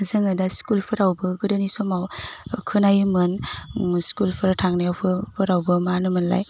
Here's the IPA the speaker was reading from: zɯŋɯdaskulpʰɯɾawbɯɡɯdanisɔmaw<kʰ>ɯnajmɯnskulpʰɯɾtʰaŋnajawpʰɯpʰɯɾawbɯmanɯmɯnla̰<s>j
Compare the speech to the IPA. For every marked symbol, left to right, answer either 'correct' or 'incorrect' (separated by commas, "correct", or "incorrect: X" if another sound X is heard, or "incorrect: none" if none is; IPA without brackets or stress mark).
correct, incorrect: none